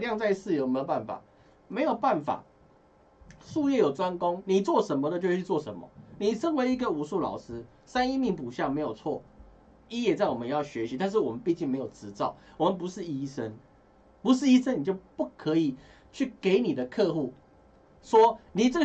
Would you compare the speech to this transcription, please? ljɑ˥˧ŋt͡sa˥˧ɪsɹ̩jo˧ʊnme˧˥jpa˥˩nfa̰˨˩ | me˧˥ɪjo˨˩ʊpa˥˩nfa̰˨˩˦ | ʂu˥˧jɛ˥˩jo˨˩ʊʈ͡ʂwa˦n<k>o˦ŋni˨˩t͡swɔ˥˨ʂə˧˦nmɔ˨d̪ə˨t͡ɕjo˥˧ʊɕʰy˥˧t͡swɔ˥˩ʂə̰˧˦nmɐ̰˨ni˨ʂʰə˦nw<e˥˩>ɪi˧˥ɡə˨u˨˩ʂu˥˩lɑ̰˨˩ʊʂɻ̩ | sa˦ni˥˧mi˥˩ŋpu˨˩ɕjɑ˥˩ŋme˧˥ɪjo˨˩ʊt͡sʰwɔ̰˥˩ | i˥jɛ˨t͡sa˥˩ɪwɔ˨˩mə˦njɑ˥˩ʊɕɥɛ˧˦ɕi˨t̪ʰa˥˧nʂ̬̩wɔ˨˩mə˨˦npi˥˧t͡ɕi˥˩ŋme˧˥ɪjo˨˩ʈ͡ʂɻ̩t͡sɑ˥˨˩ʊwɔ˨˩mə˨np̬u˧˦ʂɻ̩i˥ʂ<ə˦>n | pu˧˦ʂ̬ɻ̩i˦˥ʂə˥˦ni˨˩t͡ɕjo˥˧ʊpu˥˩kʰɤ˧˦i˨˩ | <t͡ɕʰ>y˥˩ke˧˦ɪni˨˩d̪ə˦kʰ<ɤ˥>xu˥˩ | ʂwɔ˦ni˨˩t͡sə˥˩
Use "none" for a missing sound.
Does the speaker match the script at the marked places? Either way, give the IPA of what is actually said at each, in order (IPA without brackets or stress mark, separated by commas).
k, e˧˥, ə˦, t͡ɕʰ, ɤ˥˧